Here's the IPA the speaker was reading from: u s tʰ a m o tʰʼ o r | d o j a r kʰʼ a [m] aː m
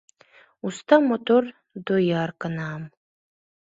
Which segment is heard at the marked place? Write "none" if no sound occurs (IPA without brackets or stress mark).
n